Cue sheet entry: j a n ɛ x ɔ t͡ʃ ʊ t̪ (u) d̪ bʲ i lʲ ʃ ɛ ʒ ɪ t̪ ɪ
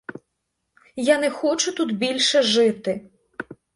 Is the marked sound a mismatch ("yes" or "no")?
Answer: no